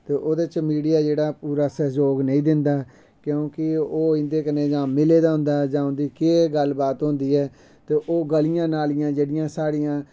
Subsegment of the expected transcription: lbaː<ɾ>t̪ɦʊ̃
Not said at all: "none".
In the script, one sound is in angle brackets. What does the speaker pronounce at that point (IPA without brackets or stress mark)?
none